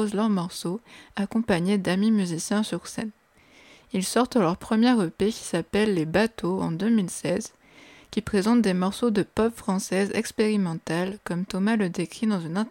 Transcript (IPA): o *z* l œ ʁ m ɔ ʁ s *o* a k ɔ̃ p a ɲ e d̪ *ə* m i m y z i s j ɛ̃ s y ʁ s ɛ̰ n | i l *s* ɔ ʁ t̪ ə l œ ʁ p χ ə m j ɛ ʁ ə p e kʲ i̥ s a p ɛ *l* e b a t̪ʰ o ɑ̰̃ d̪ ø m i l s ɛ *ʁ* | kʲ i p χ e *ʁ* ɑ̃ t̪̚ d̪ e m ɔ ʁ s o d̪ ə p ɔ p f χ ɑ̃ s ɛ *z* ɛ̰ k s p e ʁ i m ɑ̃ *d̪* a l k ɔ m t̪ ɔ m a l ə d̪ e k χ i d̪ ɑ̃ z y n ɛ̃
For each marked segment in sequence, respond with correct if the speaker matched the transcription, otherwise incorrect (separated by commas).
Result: correct, correct, incorrect, correct, incorrect, incorrect, incorrect, correct, incorrect